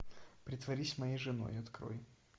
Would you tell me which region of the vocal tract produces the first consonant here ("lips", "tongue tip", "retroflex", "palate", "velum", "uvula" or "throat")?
lips